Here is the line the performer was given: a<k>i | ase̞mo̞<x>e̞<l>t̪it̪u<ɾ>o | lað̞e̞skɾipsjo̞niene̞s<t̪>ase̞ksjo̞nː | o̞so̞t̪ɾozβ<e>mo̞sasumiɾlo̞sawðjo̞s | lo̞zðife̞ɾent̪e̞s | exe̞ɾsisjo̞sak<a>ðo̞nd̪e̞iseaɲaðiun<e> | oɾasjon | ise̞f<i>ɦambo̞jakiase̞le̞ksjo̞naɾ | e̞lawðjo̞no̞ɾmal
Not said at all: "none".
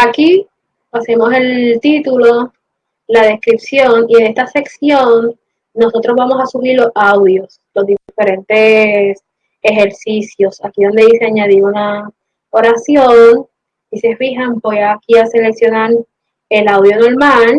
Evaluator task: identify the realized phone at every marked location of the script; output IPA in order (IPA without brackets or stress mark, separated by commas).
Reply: k, s, l, l, t̪, a, i, a, i